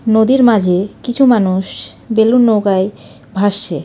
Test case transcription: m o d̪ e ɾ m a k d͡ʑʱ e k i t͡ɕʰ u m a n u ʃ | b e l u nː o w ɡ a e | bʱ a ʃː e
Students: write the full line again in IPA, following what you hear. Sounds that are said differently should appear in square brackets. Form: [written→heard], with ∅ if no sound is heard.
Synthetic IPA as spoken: [m→n] o d̪ [e→i] ɾ m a [k→∅] d͡ʑʱ e k i t͡ɕʰ u m a n u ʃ | b e l u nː o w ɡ a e | bʱ a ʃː e